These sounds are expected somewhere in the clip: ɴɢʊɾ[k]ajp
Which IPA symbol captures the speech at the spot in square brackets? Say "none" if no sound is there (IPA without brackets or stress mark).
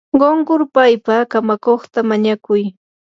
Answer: p